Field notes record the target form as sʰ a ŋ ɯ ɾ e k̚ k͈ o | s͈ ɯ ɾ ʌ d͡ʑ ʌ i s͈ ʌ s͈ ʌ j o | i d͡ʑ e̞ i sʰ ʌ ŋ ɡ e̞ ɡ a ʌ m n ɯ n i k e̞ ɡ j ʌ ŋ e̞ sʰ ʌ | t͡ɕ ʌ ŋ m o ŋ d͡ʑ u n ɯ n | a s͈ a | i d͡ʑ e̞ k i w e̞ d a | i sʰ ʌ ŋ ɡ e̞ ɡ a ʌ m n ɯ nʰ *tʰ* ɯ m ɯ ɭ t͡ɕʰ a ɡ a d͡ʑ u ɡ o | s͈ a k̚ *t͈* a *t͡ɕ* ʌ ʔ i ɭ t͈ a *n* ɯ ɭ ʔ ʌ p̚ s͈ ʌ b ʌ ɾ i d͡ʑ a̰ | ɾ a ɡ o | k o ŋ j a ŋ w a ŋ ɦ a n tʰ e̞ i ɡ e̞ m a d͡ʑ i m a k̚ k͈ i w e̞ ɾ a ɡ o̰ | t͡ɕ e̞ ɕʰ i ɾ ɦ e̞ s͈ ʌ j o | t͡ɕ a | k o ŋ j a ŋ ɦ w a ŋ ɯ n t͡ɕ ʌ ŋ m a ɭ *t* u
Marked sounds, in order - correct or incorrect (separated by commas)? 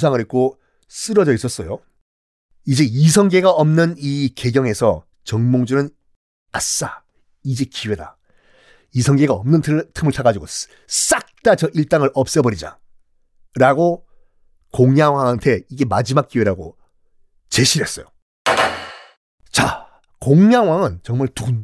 correct, correct, correct, incorrect, correct